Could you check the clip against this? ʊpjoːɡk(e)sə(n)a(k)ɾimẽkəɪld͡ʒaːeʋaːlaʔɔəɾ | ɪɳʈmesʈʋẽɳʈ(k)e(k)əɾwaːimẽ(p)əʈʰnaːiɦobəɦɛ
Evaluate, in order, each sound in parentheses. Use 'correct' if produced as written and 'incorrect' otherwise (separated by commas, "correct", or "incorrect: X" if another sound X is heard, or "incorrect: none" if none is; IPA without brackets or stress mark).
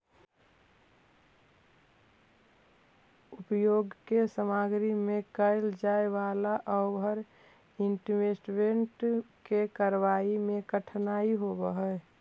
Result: correct, incorrect: m, incorrect: ɡ, correct, correct, incorrect: k